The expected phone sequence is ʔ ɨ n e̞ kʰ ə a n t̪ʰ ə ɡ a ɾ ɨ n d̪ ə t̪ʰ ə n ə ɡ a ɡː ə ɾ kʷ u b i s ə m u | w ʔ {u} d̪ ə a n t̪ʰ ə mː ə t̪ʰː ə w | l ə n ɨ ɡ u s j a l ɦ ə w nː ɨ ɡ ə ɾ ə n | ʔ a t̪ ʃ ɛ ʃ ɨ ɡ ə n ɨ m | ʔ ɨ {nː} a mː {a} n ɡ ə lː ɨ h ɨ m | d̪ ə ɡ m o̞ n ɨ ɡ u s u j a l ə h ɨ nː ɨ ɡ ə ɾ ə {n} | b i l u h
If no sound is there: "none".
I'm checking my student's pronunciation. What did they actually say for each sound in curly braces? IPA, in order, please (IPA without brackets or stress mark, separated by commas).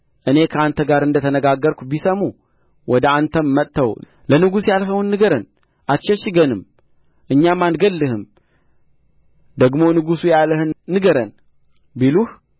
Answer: ɔ, ɲː, a, n